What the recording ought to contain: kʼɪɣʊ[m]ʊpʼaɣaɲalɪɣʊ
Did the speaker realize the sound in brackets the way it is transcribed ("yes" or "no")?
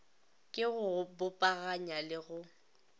no